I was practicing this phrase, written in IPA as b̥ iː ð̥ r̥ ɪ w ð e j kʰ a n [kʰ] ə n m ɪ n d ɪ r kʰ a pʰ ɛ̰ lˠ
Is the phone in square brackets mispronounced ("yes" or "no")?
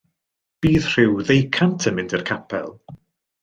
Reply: yes